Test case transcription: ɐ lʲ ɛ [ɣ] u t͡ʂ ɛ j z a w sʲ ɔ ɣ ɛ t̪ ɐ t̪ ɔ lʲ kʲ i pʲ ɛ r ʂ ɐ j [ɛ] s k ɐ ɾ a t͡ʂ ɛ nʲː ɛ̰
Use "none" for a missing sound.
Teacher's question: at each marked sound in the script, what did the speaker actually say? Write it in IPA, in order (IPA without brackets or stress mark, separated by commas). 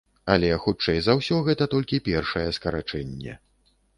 x, ɛ